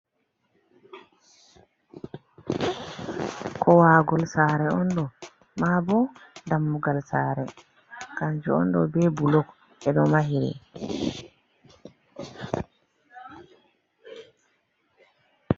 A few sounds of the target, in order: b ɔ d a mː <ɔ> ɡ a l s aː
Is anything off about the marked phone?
yes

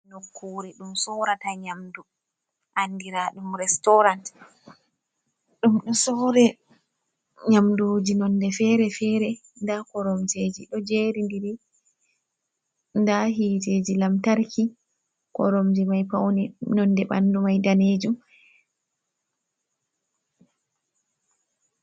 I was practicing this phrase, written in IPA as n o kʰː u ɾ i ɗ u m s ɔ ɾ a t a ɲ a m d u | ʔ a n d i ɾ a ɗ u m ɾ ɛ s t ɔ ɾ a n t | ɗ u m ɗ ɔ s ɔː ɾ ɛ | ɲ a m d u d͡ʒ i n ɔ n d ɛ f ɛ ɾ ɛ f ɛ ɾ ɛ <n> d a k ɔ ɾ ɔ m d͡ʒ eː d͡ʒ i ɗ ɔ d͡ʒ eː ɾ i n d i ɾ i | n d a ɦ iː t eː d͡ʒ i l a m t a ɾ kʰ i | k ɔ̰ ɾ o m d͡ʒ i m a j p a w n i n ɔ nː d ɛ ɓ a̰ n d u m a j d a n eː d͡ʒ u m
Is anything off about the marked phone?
no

